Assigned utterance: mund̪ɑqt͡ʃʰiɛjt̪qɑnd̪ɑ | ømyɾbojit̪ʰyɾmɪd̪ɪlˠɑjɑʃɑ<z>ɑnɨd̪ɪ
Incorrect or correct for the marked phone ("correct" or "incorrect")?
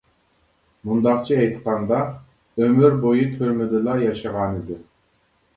incorrect